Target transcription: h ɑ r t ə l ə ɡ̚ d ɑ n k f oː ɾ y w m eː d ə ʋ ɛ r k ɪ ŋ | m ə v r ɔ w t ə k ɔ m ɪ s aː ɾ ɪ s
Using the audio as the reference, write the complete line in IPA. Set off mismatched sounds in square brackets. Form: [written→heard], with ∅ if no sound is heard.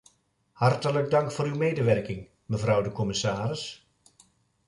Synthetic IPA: h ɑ r t ə l ə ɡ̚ d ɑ [n→ŋ] k f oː ɾ y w m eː d ə ʋ ɛ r k ɪ ŋ | m ə v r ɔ w [t→d] ə k ɔ m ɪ s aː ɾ ɪ s